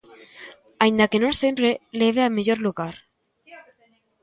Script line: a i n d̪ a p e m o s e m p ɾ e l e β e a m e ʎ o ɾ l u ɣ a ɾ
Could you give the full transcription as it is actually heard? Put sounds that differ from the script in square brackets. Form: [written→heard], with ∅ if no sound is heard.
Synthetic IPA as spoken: a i n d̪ a [p→k] e [m→n] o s e m p ɾ e l e β e a m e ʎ o ɾ l u ɣ a ɾ

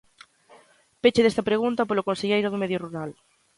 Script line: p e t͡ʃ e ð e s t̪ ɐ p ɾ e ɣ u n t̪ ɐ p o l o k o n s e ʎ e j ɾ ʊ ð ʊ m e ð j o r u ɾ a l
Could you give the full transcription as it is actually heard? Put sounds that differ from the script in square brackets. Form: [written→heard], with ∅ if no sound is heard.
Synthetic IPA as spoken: p e t͡ʃ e ð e s t̪ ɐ p ɾ e ɣ u n t̪ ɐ p o l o k o n s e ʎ e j ɾ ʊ ð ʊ m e ð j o r u ɾ a l

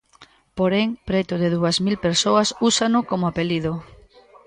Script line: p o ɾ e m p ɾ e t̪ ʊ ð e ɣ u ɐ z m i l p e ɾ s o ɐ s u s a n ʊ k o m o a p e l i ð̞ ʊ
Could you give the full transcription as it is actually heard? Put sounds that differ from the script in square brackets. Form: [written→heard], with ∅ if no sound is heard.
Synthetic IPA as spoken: p o ɾ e [m→ŋ] p ɾ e t̪ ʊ ð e [ɣ→ð] u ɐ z m i l p e ɾ s o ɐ s u s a n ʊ k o m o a p e l i ð̞ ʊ

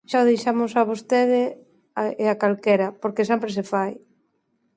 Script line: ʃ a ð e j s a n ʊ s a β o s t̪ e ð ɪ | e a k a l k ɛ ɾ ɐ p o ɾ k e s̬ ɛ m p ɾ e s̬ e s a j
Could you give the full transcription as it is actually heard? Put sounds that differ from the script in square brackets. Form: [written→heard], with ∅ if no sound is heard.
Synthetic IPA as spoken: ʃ a ð e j [s→ʃ] a [n→m] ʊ s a β o s t̪ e ð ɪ | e a k a l k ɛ ɾ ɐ p o ɾ k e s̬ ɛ m p ɾ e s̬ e [s→f] a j

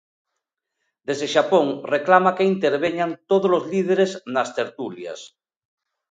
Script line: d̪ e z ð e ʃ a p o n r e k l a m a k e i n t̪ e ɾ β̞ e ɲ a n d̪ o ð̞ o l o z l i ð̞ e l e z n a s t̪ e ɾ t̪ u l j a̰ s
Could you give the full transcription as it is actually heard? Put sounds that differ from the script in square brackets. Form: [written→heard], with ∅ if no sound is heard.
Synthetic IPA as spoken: d̪ e z ð e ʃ a p o [n→ŋ] r e k l a m a k e i n t̪ e ɾ β̞ e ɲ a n [d̪→t̪] o ð̞ o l o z l i ð̞ e [l→ɾ] e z n a s t̪ e ɾ t̪ u l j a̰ s

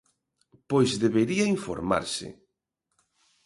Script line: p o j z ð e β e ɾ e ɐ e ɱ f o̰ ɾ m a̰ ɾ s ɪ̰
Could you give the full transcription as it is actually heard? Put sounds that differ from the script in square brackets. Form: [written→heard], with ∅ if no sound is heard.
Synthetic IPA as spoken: p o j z ð e β e ɾ [e→i] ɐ [e→i] ɱ f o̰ ɾ m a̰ ɾ s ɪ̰

